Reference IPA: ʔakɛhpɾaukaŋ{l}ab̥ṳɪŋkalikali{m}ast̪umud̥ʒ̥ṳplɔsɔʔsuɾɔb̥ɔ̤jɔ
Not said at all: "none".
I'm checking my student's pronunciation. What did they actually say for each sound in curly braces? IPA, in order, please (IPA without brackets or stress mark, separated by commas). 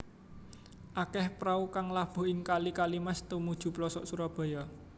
l, m